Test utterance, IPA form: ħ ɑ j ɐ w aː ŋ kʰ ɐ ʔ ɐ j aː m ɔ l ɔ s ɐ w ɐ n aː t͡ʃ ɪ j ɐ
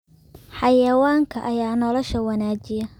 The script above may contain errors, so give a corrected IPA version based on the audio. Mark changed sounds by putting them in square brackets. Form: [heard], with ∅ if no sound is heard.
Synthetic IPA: ħ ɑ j ɐ w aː ŋ kʰ ɐ ʔ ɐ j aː [n] ɔ l ɔ [ʃ] ɐ w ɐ n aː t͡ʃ ɪ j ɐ